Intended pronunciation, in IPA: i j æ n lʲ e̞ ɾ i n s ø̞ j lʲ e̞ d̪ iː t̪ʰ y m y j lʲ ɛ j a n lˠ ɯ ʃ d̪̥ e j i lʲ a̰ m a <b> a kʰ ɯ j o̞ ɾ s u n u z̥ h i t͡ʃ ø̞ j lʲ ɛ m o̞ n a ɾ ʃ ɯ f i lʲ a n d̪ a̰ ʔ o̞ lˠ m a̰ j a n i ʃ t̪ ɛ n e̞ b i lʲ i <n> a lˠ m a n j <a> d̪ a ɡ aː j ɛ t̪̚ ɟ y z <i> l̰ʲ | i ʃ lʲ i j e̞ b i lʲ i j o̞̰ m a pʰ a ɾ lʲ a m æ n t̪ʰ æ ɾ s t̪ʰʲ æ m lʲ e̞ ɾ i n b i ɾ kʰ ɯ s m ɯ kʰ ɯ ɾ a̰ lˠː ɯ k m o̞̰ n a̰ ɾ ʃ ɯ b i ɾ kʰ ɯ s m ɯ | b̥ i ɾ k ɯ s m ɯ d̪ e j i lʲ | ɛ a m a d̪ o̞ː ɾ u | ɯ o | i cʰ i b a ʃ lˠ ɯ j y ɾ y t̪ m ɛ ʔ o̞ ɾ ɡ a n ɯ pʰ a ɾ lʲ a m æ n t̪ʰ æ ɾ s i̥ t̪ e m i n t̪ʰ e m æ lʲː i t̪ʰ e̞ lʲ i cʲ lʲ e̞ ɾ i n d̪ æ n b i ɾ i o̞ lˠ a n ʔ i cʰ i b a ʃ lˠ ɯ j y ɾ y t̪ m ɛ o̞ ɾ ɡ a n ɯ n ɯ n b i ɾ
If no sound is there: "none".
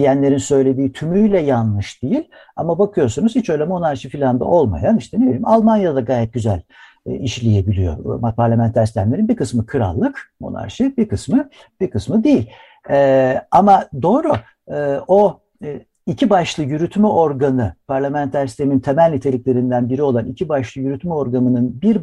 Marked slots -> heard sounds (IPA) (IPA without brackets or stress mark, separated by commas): b, m, a, æ